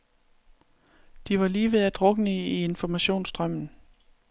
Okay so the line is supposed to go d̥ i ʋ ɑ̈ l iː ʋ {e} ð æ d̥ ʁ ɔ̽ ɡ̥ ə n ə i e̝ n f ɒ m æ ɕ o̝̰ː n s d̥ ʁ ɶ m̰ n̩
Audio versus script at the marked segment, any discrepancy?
no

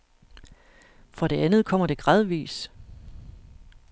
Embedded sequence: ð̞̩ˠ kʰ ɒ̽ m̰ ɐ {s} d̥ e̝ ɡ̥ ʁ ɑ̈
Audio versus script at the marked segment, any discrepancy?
yes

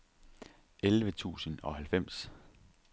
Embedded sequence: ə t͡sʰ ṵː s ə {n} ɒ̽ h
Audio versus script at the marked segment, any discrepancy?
no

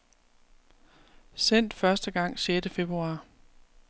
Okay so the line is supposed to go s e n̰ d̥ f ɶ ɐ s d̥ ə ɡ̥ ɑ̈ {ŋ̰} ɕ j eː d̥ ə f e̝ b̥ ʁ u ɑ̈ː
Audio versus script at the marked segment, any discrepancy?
no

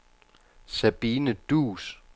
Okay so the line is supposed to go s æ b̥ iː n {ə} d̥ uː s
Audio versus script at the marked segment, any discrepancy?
no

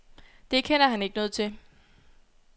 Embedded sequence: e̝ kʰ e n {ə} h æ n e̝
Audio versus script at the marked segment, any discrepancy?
yes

